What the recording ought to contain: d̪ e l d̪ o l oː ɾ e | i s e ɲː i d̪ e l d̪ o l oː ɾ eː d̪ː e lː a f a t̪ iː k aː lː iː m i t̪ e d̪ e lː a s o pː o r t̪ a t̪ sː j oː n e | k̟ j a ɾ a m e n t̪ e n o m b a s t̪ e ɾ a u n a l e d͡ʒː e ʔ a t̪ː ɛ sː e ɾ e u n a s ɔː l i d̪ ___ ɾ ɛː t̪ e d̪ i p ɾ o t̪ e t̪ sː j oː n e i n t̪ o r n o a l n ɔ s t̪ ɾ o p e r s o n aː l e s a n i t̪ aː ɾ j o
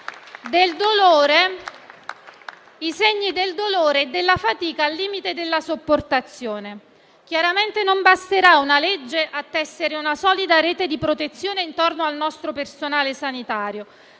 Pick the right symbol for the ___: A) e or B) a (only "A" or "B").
B